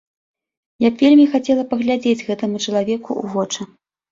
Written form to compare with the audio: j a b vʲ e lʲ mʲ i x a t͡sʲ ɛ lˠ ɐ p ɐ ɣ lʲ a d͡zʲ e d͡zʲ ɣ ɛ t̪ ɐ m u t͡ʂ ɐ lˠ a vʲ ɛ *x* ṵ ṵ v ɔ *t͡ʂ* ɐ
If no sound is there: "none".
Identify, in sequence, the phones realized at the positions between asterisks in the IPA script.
k, t͡ʂ

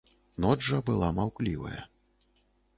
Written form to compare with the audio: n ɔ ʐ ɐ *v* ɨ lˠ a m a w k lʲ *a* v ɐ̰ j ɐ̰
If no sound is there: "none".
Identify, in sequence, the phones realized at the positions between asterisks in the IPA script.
b, i

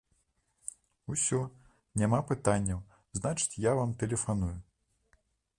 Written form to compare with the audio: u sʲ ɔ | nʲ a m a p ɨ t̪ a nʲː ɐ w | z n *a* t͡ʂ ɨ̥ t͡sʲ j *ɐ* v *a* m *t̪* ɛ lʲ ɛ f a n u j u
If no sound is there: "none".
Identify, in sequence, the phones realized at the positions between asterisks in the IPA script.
a, a, a, t̪

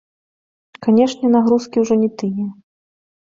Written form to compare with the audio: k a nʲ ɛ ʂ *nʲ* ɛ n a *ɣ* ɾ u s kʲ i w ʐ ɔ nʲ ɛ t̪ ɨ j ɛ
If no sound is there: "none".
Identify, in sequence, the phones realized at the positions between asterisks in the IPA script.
nʲ, ɣ

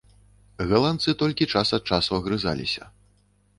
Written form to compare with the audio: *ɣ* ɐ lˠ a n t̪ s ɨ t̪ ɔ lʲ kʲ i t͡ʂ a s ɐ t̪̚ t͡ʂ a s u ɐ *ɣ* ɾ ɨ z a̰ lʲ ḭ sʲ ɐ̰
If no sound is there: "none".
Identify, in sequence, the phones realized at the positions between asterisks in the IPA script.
ɣ, ɣ

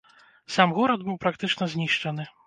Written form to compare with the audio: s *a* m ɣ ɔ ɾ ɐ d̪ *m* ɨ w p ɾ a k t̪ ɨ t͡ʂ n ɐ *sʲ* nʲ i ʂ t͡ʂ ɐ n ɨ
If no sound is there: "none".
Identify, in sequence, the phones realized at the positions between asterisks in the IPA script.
a, b, zʲ

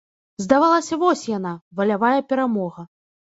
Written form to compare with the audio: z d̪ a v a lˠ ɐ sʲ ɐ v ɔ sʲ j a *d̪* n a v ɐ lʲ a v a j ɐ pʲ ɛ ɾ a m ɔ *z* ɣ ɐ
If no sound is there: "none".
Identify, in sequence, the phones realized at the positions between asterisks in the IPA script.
none, none

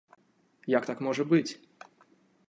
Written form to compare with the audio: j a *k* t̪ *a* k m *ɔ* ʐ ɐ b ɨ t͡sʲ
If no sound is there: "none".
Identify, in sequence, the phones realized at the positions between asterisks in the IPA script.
k, a, ɔ

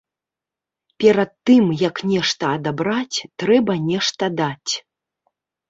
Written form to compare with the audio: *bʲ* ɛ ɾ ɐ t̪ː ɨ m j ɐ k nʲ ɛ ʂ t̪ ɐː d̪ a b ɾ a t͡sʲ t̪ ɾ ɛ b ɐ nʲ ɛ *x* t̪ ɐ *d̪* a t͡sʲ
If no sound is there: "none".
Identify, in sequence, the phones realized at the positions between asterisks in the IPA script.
pʲ, ʂ, d̪

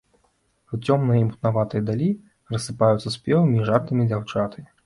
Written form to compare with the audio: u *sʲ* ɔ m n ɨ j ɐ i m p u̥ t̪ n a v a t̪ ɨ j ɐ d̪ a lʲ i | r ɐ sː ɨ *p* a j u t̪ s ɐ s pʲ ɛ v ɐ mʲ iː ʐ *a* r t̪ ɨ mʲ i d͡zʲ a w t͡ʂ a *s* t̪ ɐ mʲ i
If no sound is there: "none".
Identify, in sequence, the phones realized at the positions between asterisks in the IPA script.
t͡sʲ, p, a, none

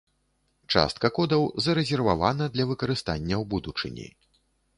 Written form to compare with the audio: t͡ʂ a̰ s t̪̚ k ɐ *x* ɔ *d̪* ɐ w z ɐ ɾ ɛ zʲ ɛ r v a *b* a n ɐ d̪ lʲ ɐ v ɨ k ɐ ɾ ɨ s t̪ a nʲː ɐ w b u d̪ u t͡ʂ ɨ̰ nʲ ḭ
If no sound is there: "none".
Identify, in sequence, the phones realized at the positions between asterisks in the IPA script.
k, d̪, v

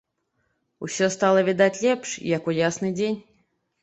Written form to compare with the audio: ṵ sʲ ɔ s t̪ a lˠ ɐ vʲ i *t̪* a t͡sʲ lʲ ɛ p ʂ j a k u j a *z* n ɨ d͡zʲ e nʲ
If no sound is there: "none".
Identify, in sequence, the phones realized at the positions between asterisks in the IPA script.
d̪, s

